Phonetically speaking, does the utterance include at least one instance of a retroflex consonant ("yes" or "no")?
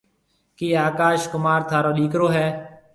no